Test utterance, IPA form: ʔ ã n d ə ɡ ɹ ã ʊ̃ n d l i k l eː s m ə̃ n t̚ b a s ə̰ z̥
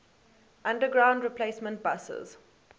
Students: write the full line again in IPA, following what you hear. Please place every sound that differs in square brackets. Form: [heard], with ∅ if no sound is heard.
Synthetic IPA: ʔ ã n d ə ɡ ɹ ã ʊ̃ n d [ɹ] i [p] l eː s m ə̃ n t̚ b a s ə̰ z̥